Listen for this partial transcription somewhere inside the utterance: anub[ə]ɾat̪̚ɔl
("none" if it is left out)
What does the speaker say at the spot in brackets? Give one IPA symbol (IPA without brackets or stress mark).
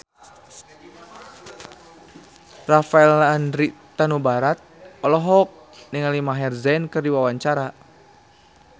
a